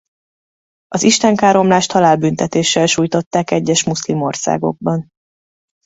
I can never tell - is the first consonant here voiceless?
no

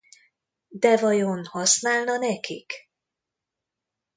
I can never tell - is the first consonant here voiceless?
no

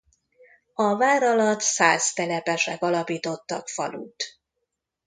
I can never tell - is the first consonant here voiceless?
no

